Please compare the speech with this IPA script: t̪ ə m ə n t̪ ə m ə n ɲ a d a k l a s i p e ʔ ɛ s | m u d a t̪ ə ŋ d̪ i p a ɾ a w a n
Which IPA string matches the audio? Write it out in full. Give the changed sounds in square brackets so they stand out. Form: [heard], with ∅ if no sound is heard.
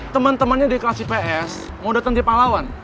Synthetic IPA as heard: t̪ ə m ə n t̪ ə m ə n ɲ a d [i] k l a s i p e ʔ ɛ s | m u d a t̪ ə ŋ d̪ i p a [l] a w a n